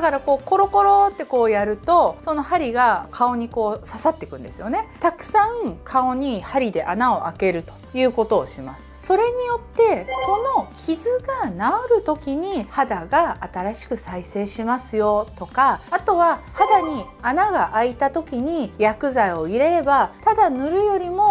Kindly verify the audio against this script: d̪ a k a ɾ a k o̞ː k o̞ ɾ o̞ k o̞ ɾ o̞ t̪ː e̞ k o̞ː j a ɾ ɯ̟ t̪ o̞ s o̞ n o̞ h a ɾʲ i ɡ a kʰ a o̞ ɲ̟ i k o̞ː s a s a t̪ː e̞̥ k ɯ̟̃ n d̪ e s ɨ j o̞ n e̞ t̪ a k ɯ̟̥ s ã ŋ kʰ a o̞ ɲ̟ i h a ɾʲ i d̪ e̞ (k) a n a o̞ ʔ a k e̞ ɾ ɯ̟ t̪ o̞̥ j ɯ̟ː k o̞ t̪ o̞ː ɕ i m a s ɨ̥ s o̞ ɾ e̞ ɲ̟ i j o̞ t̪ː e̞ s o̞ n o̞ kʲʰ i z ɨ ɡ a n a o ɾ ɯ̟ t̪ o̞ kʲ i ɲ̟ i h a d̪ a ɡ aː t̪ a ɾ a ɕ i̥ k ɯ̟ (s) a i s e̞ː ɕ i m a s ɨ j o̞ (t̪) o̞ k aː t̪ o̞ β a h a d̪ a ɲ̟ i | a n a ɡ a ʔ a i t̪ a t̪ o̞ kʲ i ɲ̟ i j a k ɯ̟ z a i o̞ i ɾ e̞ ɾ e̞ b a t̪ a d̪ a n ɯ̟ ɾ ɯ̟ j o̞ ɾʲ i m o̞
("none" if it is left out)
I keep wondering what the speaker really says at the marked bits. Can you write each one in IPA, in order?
ʔ, s, t̪

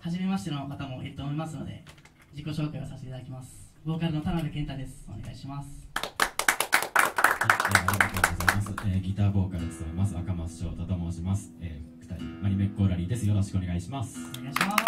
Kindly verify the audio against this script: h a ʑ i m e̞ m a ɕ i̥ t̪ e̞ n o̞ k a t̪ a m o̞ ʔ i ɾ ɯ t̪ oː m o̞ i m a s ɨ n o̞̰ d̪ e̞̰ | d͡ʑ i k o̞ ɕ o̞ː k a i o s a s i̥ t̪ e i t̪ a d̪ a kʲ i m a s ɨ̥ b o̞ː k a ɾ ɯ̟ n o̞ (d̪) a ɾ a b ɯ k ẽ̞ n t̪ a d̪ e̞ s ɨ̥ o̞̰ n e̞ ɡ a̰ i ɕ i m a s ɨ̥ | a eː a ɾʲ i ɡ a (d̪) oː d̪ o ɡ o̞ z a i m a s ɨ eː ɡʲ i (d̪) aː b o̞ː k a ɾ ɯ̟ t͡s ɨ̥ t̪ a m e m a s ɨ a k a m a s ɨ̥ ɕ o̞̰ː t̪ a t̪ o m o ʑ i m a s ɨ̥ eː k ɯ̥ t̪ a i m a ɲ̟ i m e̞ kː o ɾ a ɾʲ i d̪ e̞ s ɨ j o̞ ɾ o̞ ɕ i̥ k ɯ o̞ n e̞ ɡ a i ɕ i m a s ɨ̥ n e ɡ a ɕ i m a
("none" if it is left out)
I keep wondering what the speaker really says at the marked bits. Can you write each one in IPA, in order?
t̪, t̪, t̪

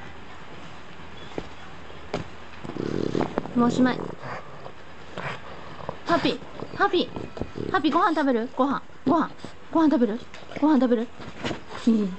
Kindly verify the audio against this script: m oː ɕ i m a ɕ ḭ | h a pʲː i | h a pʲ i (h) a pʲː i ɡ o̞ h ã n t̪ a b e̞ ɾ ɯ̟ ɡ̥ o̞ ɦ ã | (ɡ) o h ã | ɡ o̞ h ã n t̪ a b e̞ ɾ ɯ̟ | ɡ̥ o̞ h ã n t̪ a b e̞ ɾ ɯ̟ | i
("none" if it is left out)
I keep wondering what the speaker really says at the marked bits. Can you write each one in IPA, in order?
h, ɡ

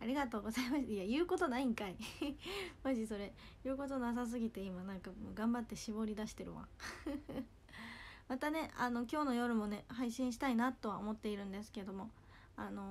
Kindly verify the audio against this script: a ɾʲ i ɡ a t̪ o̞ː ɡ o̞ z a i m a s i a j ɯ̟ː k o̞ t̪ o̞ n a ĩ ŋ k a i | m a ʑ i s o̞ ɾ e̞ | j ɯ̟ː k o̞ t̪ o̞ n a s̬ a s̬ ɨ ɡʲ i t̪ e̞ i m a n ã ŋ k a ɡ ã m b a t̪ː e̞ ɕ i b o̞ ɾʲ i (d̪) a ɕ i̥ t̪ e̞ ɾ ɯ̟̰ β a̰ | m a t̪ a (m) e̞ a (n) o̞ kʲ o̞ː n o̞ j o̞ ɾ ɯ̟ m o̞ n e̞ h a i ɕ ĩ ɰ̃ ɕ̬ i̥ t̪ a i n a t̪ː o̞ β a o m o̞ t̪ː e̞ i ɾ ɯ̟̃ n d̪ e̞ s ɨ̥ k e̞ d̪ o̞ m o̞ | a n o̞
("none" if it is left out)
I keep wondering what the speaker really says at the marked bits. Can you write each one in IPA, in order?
d̪, n, n

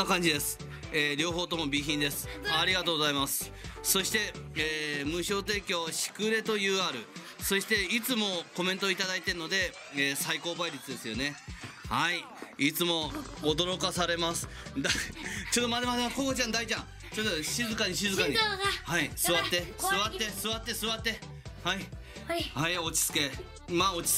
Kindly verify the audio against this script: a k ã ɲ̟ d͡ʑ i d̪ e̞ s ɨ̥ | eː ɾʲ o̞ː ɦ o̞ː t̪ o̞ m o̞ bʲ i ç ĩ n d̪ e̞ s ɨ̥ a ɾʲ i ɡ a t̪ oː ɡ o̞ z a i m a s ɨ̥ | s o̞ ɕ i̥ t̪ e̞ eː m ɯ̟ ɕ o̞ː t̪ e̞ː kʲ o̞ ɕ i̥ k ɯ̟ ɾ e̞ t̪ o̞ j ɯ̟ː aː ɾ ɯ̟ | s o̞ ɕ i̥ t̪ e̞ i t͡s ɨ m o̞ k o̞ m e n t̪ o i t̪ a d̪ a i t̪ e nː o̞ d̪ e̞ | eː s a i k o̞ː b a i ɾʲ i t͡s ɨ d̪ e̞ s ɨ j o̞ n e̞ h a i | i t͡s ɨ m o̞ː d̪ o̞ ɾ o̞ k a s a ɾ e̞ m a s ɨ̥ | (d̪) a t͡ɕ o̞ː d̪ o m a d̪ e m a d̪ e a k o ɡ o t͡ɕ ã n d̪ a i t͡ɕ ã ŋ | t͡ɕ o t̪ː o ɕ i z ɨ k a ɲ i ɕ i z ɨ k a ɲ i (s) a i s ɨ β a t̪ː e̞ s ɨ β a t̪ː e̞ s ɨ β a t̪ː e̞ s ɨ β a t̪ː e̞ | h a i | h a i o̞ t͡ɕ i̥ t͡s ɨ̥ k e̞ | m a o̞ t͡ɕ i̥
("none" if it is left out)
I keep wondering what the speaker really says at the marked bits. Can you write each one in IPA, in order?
d̪, h

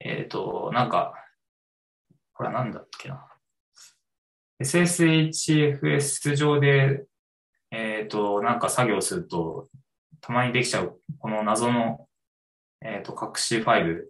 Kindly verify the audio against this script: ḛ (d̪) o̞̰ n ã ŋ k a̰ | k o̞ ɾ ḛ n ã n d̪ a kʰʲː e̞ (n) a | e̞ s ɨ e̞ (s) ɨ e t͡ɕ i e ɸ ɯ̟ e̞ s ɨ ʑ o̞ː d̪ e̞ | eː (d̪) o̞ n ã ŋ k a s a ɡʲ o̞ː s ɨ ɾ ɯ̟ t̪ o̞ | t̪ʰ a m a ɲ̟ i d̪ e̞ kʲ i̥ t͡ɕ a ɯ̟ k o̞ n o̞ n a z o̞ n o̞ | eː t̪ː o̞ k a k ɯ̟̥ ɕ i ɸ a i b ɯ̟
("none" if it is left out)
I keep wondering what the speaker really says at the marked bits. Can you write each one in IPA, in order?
t̪, n, s, t̪

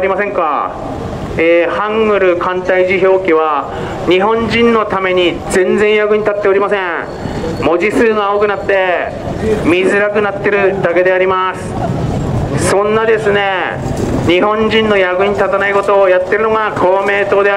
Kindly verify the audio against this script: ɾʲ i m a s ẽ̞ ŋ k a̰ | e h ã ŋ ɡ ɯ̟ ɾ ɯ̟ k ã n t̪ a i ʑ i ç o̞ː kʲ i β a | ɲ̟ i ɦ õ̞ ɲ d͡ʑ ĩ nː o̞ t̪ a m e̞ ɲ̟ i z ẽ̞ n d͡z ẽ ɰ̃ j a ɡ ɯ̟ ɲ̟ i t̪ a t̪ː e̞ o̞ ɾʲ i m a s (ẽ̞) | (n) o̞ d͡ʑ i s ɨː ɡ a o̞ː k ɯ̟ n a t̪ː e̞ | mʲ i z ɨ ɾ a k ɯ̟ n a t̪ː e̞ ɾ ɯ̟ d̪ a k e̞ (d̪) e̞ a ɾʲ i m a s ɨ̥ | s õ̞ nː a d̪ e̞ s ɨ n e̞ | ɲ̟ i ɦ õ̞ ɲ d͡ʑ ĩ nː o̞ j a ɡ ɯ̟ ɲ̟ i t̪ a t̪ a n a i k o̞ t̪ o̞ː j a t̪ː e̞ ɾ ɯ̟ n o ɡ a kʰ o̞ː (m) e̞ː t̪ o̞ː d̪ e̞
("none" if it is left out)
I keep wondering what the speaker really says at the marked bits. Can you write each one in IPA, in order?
ẽ̞, m, d̪, m

